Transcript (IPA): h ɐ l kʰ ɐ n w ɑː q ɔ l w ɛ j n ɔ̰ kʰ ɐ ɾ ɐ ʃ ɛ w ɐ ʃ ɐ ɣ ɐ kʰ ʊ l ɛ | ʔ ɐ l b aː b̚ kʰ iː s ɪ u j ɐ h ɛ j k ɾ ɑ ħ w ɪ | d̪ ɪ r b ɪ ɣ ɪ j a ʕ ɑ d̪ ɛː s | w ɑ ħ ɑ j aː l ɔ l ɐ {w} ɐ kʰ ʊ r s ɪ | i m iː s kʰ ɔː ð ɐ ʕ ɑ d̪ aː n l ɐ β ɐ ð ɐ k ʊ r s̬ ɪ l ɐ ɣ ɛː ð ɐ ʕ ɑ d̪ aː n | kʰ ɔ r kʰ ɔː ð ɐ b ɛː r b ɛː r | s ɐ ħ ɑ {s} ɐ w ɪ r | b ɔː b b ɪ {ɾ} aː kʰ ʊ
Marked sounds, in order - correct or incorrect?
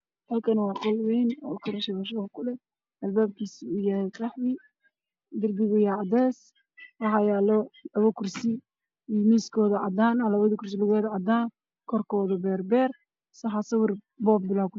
incorrect, correct, incorrect

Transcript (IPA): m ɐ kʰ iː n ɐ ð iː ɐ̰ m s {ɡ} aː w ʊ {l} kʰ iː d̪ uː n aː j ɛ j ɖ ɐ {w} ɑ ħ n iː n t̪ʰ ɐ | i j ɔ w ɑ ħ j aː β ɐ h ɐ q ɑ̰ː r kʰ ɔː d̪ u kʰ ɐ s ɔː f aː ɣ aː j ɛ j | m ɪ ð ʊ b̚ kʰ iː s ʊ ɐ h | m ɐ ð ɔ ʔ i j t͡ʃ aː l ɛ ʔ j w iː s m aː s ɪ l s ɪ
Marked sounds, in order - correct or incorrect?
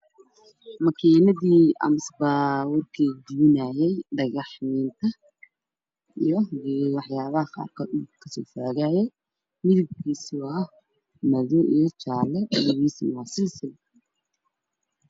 incorrect, incorrect, incorrect

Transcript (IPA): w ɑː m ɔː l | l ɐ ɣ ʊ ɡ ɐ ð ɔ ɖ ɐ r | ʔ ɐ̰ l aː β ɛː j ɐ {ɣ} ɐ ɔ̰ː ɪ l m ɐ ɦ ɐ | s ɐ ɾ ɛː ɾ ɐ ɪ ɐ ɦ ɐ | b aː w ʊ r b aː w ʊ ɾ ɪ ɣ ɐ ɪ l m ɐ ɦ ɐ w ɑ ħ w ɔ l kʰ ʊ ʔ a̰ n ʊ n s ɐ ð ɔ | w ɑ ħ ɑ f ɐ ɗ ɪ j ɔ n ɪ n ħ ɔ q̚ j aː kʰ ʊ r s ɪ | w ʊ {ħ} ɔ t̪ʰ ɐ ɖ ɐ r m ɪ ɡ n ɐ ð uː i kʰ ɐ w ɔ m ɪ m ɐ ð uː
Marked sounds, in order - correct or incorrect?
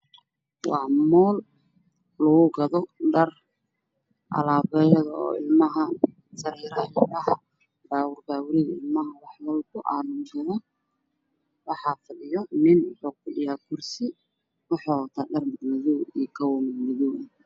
incorrect, correct

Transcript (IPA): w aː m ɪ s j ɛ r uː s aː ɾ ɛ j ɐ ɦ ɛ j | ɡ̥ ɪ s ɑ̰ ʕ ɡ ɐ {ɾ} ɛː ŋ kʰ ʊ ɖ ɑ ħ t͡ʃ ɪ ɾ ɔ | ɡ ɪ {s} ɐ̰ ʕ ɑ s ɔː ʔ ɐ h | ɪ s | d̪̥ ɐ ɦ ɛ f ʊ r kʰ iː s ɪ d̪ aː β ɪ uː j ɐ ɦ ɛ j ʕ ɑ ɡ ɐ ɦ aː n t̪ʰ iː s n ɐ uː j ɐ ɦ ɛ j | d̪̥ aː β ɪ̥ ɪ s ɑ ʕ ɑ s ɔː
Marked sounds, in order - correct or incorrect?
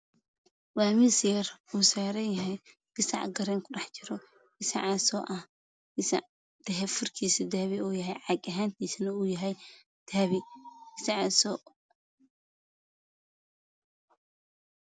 correct, correct

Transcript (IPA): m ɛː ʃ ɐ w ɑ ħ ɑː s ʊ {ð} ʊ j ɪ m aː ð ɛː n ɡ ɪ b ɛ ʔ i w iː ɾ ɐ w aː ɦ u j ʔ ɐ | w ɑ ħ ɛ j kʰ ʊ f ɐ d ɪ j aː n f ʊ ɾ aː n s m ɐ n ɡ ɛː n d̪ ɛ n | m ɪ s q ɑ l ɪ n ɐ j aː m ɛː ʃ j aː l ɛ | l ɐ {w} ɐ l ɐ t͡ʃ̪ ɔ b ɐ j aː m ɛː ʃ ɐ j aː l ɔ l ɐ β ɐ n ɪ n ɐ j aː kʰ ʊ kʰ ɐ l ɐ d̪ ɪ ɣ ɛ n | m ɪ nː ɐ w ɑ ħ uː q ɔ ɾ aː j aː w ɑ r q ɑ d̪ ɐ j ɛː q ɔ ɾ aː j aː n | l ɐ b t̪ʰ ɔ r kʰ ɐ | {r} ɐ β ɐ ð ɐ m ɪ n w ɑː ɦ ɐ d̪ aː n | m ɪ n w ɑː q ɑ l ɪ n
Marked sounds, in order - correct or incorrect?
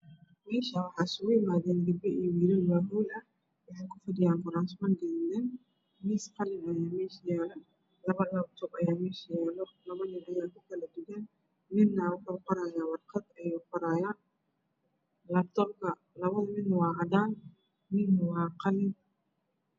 incorrect, incorrect, incorrect

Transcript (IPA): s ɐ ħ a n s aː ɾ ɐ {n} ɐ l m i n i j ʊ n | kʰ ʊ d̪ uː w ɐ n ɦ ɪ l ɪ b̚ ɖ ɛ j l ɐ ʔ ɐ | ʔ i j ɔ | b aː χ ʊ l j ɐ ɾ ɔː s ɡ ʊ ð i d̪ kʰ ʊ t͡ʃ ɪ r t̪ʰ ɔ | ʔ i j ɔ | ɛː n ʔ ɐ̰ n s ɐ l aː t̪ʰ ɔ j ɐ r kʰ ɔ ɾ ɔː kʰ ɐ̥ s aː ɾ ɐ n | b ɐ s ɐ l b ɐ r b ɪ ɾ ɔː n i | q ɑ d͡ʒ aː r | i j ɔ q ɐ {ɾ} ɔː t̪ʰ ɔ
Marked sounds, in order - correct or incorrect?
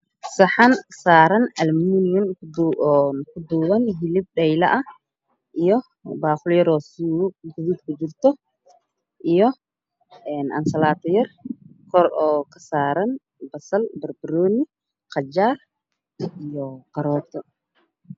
correct, correct

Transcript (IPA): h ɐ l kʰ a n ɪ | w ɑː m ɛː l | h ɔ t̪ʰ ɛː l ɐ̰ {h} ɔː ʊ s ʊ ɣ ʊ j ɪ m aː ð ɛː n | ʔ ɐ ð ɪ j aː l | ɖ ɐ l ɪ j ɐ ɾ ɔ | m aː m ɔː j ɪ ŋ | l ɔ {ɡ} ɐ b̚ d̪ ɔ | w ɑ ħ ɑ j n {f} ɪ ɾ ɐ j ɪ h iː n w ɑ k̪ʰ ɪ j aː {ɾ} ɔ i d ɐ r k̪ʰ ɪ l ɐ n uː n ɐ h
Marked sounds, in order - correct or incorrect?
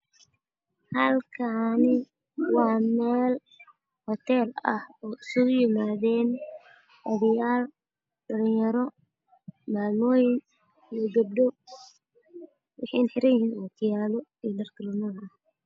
correct, correct, incorrect, incorrect

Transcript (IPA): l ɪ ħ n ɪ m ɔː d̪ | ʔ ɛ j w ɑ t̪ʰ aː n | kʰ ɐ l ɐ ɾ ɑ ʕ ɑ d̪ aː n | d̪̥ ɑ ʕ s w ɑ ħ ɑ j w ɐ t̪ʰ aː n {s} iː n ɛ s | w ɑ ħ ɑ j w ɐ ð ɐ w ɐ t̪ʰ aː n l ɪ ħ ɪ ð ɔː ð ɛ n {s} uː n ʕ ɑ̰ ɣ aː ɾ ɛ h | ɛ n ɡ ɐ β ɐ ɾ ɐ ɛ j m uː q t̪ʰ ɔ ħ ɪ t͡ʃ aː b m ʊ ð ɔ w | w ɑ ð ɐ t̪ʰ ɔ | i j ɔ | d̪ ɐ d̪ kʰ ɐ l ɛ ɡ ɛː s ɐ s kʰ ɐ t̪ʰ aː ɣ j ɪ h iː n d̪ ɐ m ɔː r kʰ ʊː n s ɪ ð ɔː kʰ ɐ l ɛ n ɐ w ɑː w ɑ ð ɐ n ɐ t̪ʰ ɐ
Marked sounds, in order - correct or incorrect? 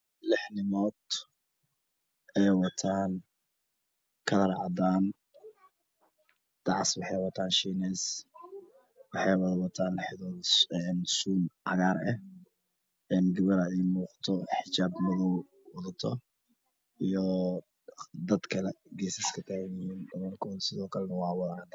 incorrect, correct

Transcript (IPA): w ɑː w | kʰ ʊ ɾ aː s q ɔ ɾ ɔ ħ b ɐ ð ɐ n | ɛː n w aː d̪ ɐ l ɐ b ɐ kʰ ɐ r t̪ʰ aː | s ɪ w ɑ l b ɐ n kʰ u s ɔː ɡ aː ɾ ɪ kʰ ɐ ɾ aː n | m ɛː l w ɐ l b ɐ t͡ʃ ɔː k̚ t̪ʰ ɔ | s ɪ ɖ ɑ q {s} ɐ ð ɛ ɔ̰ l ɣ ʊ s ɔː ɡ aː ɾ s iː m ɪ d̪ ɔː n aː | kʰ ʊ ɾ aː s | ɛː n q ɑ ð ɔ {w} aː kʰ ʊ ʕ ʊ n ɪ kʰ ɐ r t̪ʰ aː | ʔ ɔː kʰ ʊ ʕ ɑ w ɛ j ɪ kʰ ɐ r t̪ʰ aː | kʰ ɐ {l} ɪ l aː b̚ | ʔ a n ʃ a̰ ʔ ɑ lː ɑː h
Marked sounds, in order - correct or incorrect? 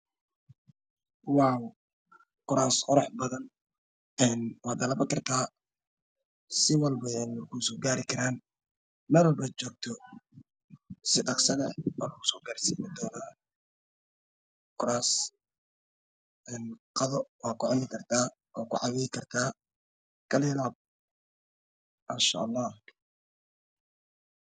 correct, correct, correct

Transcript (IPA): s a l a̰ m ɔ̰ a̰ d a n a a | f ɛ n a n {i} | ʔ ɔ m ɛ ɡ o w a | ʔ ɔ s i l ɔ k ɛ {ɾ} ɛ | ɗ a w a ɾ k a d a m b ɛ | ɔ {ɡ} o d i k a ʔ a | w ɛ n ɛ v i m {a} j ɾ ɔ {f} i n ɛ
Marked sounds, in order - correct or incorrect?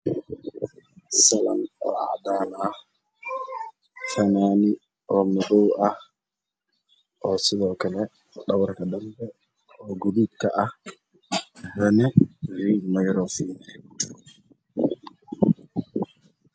correct, incorrect, correct, correct, correct

